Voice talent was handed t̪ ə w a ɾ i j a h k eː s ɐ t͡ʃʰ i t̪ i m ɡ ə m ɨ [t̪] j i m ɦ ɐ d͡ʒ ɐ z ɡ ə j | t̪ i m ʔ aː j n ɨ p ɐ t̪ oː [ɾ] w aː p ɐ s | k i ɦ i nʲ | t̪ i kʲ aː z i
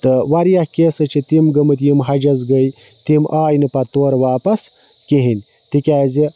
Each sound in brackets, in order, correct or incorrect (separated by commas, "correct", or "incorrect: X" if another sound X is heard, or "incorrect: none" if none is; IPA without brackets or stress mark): correct, correct